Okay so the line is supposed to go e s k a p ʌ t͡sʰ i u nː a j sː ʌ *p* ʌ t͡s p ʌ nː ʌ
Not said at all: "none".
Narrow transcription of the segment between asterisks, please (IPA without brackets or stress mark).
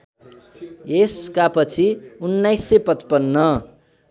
p